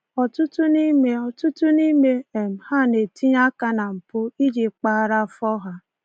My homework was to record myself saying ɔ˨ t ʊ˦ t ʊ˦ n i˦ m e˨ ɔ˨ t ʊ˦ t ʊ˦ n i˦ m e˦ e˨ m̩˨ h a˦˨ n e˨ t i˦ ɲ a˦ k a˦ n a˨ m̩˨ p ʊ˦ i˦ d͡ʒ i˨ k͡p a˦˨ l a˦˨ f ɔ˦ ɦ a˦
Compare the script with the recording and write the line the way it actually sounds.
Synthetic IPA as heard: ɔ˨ t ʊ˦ t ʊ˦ n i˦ m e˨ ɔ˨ t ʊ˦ t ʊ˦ n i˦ m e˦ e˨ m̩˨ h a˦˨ n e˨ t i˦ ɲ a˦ k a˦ n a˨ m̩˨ p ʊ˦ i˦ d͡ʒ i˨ k͡p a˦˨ ɾ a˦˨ f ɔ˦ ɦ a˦